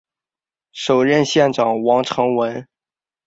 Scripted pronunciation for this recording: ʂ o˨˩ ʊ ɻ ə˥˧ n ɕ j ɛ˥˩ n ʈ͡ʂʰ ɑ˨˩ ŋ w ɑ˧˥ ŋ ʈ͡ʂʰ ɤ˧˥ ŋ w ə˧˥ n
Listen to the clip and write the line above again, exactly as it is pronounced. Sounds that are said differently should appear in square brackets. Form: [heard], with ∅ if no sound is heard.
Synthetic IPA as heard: ʂ o˨˩ ʊ ɻ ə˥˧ n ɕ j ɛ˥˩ n [ʈ͡ʂ] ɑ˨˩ ŋ w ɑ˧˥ ŋ ʈ͡ʂʰ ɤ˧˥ ŋ w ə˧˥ n